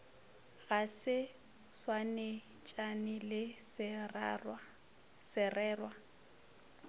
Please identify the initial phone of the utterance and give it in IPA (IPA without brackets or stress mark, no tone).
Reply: ɣ